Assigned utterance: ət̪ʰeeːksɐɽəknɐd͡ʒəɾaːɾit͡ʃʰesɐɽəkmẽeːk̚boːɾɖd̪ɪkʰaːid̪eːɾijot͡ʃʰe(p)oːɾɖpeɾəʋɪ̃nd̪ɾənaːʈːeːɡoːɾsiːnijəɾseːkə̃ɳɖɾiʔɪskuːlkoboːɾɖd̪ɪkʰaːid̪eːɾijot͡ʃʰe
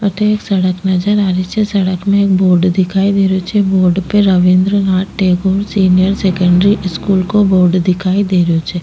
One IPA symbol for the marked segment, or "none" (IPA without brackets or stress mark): b